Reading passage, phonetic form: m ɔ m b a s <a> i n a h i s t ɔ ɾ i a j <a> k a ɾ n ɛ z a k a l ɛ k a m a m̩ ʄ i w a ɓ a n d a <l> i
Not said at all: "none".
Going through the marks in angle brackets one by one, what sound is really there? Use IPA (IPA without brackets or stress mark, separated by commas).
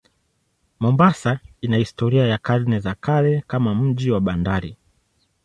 a, a, ɾ